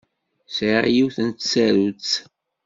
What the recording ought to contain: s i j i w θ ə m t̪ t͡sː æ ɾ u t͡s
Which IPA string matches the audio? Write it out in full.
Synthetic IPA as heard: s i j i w θ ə n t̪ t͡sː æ ɾ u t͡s